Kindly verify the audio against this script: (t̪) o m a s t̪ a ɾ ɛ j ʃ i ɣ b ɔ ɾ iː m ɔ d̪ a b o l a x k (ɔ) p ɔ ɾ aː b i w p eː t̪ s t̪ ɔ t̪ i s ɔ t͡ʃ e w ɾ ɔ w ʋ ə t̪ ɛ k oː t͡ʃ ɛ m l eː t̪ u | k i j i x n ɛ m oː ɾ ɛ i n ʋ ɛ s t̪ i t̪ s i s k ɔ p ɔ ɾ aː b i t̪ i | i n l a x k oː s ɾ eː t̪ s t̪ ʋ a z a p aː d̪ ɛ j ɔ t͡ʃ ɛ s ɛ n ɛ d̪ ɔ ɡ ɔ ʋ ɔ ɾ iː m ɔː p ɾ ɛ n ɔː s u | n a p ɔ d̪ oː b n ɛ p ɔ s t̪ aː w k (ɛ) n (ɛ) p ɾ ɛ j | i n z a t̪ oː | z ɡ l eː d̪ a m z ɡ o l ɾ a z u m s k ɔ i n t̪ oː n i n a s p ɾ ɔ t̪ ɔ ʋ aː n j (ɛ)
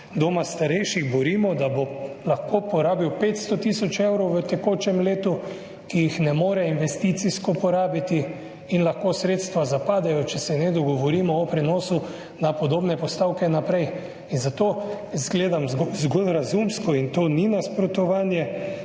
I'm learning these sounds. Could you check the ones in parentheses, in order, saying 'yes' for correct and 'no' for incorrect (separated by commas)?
no, no, yes, no, yes